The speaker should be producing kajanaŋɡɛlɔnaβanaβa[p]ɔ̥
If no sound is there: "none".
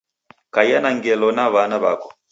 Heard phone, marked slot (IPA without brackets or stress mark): k